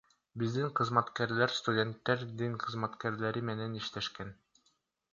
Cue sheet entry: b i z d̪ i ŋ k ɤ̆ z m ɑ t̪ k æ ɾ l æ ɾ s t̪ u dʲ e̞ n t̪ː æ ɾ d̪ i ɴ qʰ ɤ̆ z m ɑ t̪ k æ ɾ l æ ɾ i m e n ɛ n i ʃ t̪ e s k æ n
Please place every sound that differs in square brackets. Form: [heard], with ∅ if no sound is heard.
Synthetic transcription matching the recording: b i z d̪ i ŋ [q] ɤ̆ z m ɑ t̪ k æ ɾ l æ ɾ s t̪ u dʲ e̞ n t̪ː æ ɾ d̪ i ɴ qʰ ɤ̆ z m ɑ t̪ k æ ɾ l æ ɾ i m e n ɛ n i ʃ t̪ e [ʃ] k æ n